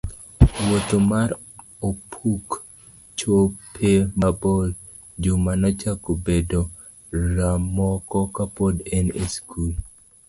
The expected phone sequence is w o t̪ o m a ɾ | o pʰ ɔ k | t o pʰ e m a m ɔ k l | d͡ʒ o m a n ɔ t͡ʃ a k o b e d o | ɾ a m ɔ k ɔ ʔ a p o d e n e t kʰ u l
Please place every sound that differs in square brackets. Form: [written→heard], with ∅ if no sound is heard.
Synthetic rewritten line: w o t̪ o m a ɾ | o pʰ [ɔ→u] k | [t→t͡ʃ] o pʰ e m a [m→b] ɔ [k→∅] l | d͡ʒ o m a n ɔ t͡ʃ a k o b e d o | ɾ a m ɔ k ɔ [ʔ→k] a p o d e n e [t→s] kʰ u l

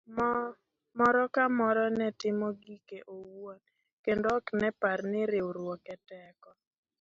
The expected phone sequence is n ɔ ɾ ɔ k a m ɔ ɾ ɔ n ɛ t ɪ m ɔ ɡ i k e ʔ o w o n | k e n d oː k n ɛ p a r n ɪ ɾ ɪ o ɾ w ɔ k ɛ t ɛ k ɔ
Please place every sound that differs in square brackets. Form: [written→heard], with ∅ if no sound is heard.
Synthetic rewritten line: [n→m] ɔ ɾ ɔ k a m ɔ ɾ ɔ n ɛ t ɪ m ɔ ɡ i k e ʔ o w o n | k e n d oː k n ɛ p a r n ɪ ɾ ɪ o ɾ w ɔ k ɛ t ɛ k ɔ

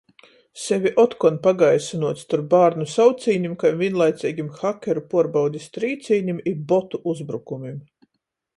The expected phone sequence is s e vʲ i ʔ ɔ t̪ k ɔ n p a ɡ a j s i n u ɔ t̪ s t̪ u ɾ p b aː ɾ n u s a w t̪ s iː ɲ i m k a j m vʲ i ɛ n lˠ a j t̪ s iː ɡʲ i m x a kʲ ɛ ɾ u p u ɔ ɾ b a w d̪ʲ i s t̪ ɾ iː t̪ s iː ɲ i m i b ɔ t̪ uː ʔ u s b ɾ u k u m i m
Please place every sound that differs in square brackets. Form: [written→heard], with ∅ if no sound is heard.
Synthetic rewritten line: s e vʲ i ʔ ɔ t̪ k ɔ n p a ɡ a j s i n u ɔ t̪ s t̪ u ɾ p b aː ɾ n u s a w t̪ s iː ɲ i m k a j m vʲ i ɛ n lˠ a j t̪ s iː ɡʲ i m x a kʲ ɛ ɾ u p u ɔ ɾ b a w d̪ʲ i s t̪ ɾ iː t̪ s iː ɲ i m i b ɔ t̪ [uː→u] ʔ u [s→z] b ɾ u k u m i m

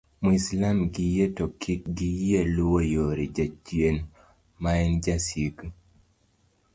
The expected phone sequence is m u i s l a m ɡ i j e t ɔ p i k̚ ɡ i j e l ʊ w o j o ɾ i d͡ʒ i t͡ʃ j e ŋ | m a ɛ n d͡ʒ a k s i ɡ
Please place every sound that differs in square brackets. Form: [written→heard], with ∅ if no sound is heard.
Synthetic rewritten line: m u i s l a m ɡ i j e t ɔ [p→k] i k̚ ɡ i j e l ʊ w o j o ɾ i d͡ʒ [i→a] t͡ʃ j e [ŋ→n] | m a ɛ n d͡ʒ a [k→∅] s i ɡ

